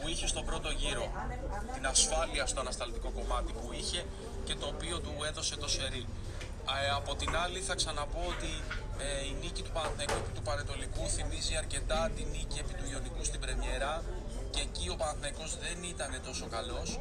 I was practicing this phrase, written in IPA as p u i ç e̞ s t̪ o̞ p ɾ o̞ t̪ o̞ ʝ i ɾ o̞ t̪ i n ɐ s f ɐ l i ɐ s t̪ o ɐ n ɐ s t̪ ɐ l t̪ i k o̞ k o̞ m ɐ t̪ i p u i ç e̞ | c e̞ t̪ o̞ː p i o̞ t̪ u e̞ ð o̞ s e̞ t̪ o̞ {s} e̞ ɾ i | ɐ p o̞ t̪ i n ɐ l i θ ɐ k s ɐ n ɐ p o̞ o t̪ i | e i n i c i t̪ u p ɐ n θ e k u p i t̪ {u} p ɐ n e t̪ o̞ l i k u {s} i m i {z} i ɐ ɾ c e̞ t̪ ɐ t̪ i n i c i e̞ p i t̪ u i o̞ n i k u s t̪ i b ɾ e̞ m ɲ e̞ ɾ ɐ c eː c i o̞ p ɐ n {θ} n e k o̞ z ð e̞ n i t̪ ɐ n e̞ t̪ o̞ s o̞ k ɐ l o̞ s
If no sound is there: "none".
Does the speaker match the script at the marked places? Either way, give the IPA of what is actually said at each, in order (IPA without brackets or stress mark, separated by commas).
s, u, θ, z, θ